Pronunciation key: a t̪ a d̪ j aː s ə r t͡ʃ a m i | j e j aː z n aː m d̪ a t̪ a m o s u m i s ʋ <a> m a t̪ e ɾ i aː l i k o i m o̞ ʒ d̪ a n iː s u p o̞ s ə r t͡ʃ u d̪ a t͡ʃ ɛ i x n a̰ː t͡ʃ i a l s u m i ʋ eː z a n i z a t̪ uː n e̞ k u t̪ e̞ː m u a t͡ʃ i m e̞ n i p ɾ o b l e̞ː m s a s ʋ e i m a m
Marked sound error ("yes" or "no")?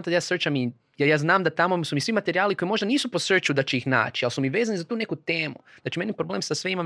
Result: yes